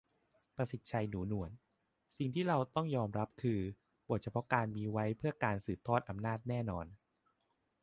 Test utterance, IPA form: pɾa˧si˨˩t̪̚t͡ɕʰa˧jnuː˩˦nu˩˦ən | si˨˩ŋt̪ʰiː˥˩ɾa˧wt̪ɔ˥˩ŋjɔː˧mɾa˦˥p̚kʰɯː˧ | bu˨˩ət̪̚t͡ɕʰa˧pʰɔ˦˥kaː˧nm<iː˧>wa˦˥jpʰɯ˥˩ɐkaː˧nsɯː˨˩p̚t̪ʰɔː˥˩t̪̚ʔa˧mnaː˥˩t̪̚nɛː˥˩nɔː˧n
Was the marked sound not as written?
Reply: no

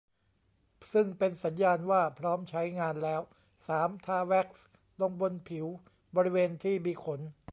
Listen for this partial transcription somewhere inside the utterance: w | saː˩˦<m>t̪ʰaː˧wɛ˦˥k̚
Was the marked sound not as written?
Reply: no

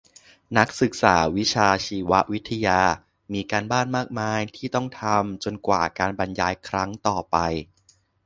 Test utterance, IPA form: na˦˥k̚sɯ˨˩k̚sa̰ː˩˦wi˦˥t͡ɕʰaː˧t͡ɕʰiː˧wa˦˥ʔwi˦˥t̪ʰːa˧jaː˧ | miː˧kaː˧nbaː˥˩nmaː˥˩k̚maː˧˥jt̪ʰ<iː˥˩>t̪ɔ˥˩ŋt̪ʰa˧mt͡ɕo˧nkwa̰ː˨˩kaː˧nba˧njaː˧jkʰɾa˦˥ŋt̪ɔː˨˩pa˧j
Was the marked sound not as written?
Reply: no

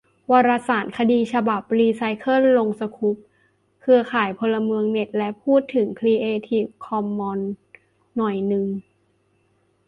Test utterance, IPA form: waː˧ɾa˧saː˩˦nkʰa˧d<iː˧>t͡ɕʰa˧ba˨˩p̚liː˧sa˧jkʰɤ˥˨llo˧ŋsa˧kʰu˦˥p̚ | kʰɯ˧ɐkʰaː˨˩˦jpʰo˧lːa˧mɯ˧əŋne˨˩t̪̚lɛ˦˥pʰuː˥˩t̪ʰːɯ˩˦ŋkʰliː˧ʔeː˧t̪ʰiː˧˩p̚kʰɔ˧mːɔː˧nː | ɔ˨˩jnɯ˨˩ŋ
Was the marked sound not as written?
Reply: no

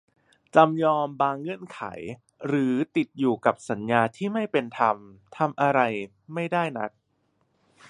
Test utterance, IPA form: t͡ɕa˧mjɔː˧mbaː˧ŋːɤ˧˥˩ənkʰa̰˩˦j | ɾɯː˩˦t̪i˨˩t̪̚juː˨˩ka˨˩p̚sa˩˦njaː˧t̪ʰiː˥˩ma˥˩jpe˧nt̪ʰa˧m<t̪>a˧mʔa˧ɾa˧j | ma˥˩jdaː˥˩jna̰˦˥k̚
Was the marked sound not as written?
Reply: yes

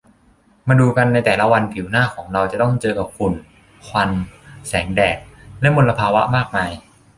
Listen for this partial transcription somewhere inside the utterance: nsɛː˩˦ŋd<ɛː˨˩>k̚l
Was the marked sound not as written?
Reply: no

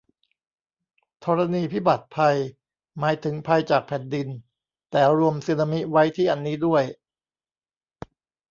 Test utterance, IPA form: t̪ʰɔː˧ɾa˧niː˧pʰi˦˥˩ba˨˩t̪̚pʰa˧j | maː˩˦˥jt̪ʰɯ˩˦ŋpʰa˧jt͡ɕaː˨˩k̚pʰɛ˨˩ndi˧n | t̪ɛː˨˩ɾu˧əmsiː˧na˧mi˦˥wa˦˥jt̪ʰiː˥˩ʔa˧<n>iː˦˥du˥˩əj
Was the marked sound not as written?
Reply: yes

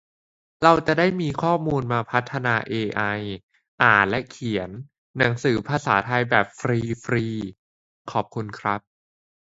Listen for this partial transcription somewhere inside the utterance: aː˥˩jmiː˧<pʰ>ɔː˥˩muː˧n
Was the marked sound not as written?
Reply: yes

